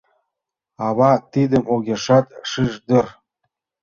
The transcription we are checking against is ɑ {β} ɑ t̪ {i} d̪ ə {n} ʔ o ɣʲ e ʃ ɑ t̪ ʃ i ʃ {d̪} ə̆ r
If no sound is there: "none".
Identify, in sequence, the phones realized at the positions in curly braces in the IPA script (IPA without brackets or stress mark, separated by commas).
β, i, m, d̪